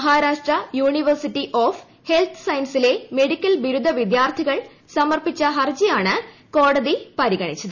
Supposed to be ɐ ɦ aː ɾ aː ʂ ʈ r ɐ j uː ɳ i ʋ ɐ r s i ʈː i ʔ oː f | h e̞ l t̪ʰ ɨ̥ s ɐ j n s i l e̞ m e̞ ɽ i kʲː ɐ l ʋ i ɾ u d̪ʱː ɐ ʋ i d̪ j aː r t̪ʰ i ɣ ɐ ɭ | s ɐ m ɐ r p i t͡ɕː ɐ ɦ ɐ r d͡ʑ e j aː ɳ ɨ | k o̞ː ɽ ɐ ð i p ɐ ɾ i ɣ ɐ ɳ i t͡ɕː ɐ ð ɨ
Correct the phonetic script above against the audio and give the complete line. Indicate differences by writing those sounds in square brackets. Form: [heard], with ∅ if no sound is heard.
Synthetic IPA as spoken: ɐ ɦ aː ɾ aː ʂ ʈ r ɐ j uː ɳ i ʋ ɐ r s i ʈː i ʔ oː f | h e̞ l t̪ʰ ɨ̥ s ɐ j n s i l e̞ m e̞ ɽ i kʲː ɐ l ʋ i ɾ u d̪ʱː ɐ ʋ i d̪ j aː r t̪ʰ i ɣ ɐ ɭ | s ɐ m ɐ r p i t͡ɕː ɐ ɦ ɐ r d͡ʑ [i] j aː ɳ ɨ | k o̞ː ɽ ɐ ð i p ɐ ɾ i ɣ ɐ ɳ i t͡ɕː ɐ ð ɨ